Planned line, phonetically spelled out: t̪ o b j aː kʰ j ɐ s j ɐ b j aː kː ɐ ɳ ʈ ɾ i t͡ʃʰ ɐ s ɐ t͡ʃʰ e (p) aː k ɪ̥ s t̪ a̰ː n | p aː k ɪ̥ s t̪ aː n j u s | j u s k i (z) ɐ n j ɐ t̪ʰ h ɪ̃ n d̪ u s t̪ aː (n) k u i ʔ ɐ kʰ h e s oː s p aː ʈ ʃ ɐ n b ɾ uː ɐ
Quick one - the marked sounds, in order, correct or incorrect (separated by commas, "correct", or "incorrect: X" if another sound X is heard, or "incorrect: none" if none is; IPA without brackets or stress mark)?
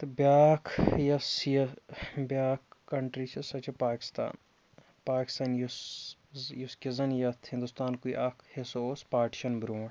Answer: correct, correct, correct